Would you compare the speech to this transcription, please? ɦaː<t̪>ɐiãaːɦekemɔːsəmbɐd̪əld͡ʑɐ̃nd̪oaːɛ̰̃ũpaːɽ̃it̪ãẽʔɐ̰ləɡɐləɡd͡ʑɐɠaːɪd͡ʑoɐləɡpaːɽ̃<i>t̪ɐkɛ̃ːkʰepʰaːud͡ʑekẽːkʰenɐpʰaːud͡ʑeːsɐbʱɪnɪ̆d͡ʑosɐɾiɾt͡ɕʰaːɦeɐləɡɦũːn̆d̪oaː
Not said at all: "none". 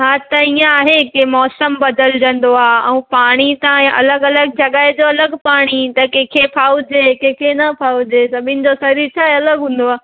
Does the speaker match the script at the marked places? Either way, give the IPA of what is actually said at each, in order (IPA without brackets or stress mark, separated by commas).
t̪, i